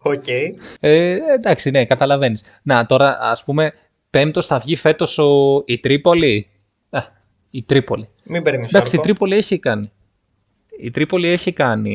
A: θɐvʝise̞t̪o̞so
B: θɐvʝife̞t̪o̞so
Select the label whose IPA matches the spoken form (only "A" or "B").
B